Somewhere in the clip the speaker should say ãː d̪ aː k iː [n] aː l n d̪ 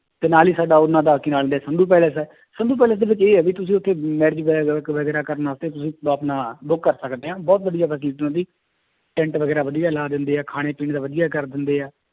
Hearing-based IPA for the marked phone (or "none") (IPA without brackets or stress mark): n